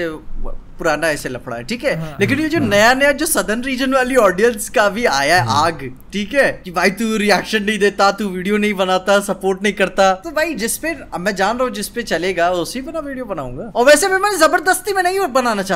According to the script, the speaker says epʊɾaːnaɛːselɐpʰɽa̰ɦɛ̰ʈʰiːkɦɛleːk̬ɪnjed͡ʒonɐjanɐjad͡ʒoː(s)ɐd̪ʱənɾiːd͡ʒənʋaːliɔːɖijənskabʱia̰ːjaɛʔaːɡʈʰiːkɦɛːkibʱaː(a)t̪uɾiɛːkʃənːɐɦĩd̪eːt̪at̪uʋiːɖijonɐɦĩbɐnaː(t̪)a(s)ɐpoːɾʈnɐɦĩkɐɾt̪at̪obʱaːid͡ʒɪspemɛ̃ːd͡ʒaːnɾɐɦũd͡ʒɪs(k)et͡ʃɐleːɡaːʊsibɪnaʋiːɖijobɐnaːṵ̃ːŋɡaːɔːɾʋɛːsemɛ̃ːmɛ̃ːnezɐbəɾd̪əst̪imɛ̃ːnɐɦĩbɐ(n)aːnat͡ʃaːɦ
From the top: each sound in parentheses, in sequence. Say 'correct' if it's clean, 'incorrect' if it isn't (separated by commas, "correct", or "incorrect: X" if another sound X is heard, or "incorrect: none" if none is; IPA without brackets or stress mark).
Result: correct, incorrect: i, correct, correct, incorrect: p, correct